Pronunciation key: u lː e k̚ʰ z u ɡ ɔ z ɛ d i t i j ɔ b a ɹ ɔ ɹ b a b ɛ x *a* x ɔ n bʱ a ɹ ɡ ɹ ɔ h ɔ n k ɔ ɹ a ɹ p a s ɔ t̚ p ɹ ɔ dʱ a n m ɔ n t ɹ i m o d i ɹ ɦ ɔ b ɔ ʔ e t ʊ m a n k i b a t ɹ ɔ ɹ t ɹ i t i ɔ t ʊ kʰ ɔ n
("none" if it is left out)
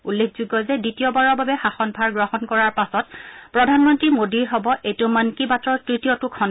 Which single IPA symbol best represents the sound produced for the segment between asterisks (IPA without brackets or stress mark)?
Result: a